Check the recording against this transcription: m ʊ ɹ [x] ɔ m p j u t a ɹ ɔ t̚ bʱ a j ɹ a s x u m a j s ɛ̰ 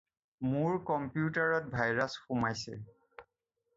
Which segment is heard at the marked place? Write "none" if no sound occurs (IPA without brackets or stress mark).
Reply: k